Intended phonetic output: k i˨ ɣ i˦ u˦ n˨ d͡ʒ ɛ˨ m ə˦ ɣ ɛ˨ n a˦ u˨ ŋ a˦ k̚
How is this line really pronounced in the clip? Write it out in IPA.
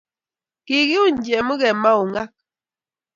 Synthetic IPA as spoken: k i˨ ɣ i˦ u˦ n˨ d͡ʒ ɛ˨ m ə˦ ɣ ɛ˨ m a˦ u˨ ŋ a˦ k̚